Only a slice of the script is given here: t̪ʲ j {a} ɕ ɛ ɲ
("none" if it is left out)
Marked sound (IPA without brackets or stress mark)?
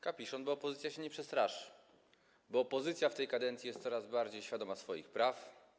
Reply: a